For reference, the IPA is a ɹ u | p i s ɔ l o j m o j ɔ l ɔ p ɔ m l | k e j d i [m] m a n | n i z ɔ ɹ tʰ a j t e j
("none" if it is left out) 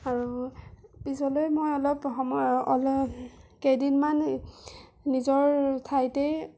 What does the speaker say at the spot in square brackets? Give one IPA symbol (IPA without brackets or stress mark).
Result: n